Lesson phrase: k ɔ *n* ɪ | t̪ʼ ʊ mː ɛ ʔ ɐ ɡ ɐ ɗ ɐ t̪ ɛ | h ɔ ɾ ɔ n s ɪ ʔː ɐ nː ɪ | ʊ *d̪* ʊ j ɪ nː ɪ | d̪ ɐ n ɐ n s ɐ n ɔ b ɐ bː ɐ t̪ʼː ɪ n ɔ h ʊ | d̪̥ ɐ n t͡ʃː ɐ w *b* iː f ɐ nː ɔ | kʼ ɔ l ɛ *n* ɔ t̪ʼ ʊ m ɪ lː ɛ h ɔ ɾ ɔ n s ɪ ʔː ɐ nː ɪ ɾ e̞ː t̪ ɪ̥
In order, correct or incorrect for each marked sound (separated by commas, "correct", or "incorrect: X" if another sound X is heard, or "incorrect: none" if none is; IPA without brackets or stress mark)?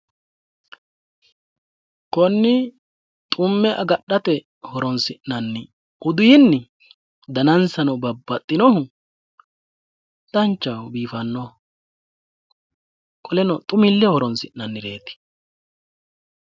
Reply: incorrect: nː, correct, correct, correct